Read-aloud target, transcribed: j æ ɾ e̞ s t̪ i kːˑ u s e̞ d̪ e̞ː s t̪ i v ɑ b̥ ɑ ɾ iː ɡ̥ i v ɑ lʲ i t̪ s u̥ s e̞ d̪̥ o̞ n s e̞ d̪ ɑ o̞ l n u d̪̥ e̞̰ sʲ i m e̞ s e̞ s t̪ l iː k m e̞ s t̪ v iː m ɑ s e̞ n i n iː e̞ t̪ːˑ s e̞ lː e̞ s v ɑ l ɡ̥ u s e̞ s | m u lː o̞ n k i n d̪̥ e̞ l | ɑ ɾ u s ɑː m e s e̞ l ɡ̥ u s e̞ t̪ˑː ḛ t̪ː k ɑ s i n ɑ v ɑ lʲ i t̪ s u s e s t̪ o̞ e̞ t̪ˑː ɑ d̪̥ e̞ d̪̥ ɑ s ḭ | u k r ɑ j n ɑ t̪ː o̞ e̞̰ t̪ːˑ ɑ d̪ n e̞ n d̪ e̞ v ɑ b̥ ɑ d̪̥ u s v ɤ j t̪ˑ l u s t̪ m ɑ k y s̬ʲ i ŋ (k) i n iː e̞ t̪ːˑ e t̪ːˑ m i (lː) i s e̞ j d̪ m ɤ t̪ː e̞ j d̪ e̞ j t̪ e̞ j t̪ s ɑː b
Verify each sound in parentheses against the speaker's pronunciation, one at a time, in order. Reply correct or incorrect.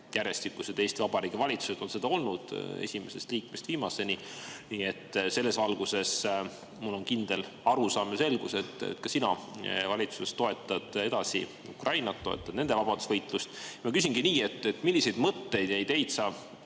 incorrect, correct

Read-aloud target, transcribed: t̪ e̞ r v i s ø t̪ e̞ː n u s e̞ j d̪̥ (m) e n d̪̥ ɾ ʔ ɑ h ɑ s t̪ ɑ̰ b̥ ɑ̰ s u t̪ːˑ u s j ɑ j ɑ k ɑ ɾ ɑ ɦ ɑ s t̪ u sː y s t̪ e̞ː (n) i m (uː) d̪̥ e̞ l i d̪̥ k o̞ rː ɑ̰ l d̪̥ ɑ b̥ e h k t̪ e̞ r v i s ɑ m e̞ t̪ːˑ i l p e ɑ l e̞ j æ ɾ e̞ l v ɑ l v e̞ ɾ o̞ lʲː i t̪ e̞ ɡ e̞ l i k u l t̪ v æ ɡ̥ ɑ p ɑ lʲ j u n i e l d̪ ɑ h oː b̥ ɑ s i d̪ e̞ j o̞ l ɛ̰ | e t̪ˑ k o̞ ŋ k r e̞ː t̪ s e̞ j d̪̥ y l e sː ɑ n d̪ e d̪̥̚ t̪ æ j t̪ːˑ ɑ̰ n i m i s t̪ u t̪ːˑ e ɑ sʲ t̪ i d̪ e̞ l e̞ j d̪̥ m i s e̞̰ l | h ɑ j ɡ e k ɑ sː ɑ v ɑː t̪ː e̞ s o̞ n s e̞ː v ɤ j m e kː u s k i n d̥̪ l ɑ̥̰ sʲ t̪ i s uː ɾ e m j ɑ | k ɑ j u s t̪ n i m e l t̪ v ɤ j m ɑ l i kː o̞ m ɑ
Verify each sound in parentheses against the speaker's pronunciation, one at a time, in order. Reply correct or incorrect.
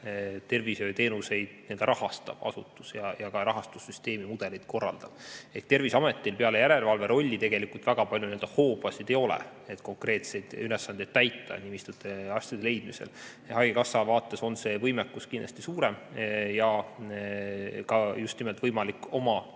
incorrect, incorrect, incorrect

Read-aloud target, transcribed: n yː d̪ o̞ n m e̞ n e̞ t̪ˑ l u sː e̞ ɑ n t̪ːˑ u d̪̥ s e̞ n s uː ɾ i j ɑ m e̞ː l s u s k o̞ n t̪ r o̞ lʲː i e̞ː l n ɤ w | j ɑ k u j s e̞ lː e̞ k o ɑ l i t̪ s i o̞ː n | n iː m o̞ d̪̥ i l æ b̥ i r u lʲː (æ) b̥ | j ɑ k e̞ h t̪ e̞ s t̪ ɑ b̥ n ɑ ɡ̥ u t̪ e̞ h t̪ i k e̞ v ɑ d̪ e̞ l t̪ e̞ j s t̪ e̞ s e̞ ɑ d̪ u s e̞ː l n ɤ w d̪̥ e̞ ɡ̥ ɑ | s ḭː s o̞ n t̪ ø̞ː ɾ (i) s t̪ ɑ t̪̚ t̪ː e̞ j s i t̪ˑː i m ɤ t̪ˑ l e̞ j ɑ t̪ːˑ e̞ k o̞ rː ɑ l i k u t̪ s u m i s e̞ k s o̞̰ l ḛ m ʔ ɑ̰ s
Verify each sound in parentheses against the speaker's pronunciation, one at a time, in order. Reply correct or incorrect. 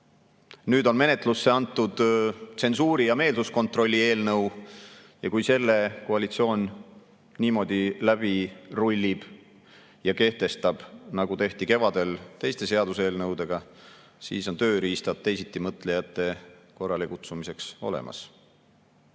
incorrect, incorrect

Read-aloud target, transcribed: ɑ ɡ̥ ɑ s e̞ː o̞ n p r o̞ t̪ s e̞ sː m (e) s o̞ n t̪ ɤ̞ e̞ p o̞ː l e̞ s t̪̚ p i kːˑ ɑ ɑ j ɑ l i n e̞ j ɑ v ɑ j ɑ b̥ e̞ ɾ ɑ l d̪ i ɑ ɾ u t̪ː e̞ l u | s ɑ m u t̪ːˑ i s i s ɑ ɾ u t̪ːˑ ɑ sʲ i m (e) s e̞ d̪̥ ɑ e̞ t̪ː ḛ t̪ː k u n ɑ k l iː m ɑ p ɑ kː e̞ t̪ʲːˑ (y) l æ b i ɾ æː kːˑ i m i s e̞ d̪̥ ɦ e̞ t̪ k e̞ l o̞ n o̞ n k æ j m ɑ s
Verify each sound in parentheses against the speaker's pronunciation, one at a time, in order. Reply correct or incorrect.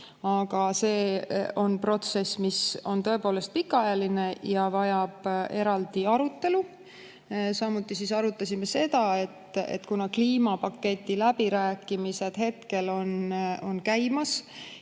incorrect, correct, incorrect

